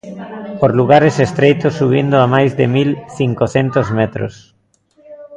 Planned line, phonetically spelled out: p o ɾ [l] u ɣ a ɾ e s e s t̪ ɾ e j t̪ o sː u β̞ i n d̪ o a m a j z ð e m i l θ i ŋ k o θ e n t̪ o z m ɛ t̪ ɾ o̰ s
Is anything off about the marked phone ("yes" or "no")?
no